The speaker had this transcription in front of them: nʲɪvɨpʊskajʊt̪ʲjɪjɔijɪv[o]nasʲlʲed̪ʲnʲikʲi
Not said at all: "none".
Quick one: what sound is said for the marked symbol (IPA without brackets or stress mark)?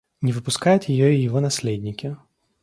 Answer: ɔ